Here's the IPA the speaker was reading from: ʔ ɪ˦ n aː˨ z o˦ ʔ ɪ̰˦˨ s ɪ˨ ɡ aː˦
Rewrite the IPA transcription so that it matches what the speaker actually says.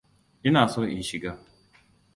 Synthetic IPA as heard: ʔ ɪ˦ n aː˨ s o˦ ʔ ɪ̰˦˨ ʃ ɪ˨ ɡ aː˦